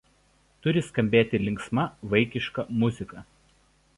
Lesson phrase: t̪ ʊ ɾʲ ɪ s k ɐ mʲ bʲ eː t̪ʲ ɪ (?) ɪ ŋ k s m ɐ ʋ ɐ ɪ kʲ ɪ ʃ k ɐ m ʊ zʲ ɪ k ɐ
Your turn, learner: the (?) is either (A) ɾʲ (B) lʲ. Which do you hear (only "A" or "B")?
B